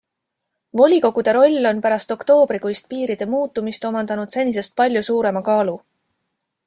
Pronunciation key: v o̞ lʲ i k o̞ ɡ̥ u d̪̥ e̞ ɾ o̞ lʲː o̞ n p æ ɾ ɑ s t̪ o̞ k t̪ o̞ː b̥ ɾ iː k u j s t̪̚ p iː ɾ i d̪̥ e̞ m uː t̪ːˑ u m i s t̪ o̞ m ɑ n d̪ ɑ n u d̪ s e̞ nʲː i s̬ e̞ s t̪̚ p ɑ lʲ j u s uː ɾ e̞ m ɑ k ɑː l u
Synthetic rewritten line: v o̞ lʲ i k o̞ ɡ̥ u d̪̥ e̞ ɾ o̞ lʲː o̞ n p æ ɾ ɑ s t̪ o̞ k t̪ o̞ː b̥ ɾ i k u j s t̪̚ p iː ɾ i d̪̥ e̞ m uː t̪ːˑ u m i s t̪ o̞ m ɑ n d̪ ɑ n u d̪ s e̞ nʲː i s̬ e̞ s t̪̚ p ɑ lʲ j u s uː ɾ e̞ m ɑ k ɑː l u

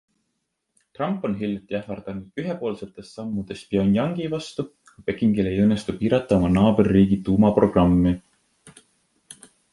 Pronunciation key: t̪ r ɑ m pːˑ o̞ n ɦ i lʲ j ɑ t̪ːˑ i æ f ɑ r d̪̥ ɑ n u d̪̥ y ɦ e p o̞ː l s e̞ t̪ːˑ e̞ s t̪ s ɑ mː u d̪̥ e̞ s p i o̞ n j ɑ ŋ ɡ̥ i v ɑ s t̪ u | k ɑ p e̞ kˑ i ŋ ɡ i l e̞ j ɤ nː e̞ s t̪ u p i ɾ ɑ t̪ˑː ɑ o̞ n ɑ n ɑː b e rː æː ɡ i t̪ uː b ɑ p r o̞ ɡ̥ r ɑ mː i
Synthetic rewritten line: t̪ r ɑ m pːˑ o̞ n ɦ i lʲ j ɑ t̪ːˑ i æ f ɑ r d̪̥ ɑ n u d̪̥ y ɦ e p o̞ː l s e̞ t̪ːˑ e̞ s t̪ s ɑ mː u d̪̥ e̞ s p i o̞ n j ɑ ŋ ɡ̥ i v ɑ s t̪ u | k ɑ p e̞ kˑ i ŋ ɡ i l e̞ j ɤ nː e̞ s t̪ u p iː ɾ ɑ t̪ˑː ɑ o̞ m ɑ n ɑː b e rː iː ɡ i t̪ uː m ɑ p r o̞ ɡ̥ r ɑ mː i

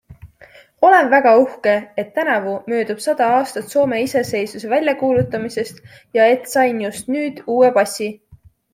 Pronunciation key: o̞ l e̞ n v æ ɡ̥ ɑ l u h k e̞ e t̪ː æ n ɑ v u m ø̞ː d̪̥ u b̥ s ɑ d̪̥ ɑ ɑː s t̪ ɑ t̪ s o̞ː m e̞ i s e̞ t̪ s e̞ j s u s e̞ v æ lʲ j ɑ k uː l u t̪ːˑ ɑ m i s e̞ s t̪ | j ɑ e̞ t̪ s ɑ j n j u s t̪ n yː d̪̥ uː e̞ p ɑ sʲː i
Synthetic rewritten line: o̞ l e̞ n v æ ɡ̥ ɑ u h k e̞ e t̪ː æ n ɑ v u m ø̞ː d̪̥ u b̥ s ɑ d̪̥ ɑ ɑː s t̪ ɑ t̪ s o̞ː m e̞ i s e̞ s e̞ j s u s e̞ v æ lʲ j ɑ k uː l u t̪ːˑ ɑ m i s e̞ s t̪ | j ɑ e̞ t̪ s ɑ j n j u s t̪ n yː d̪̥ uː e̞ p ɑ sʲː i

